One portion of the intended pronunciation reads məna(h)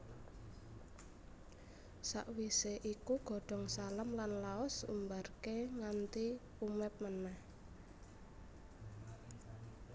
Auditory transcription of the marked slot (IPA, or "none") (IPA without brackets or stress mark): h